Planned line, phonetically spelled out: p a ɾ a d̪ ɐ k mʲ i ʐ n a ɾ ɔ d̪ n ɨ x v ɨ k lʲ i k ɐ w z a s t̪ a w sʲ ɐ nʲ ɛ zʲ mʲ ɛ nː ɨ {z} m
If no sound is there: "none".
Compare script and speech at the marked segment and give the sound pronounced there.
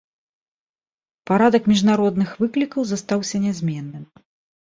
none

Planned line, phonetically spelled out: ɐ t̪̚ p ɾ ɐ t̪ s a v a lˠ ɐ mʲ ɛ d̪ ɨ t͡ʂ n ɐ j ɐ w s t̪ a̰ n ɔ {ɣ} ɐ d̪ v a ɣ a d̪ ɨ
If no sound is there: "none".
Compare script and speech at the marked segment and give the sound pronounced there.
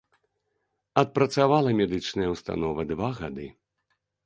v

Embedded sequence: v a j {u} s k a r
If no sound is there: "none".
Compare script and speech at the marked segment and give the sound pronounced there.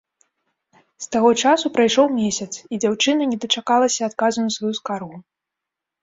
u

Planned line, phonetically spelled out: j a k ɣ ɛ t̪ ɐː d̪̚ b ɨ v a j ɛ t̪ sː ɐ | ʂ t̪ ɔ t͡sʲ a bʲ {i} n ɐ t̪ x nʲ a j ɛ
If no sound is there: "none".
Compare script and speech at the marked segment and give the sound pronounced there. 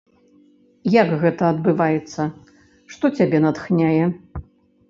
ɛ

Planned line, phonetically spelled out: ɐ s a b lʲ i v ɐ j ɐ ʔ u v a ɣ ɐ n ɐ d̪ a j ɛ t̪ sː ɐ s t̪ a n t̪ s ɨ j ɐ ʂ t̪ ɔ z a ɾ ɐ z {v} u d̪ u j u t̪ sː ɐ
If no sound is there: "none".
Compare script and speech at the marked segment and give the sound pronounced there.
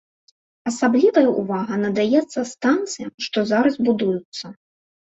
b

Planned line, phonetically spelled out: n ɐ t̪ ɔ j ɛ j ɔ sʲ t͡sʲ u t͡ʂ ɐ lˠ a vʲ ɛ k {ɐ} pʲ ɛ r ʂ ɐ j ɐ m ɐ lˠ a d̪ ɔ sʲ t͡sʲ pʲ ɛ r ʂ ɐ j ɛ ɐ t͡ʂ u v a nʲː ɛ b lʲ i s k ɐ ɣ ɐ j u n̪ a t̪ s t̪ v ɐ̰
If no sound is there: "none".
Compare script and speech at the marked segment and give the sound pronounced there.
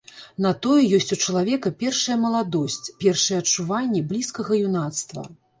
ɐ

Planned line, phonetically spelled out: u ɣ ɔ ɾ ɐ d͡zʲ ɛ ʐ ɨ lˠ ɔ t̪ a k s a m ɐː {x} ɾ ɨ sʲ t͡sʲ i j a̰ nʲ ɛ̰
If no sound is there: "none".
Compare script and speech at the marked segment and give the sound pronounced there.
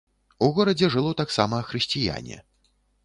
x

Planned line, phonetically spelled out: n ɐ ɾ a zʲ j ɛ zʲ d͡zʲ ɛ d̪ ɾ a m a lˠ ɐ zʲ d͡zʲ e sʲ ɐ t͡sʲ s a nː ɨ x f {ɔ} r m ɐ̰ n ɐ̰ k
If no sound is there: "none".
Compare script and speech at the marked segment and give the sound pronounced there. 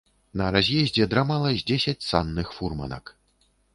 u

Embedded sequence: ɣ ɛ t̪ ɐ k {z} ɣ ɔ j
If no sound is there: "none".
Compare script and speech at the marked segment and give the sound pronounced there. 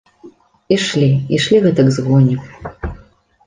z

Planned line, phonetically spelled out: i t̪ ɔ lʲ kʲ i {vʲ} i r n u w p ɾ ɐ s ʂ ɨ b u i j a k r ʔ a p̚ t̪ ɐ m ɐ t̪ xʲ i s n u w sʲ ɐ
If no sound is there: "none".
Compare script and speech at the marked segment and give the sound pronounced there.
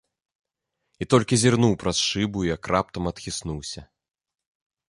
zʲ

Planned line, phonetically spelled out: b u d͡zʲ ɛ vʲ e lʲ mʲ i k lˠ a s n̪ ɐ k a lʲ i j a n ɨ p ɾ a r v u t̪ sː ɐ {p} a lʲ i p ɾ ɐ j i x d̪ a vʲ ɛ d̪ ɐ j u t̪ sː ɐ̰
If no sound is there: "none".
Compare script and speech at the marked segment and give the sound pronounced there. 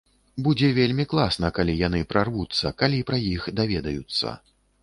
k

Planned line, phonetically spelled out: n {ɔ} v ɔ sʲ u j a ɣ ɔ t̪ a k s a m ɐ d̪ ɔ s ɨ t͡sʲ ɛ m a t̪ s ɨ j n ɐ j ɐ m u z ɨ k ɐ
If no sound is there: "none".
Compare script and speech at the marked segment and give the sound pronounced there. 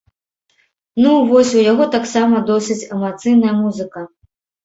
u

